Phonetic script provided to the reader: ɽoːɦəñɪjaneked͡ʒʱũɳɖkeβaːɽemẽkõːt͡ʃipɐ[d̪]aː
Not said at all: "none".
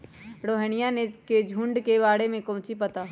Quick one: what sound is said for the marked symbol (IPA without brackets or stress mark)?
t̪